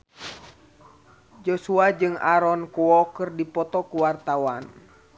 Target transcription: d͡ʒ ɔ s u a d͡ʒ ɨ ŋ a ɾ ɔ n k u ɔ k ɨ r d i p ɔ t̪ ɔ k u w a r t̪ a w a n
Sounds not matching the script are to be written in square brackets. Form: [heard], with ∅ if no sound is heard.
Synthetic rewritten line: d͡ʒ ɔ s u a d͡ʒ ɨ ŋ a ɾ ɔ n k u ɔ k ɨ r d i p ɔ t̪ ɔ k u w a r t̪ a w a n